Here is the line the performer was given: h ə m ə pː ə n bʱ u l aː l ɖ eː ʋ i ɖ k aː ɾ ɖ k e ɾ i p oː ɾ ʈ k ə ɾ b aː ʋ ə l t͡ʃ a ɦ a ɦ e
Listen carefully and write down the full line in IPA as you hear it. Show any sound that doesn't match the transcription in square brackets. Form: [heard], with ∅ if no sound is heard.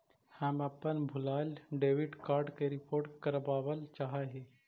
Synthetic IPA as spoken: h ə m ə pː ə n bʱ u l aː l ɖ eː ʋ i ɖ k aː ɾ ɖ k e ɾ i p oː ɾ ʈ k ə ɾ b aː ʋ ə l t͡ʃ a ɦ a ɦ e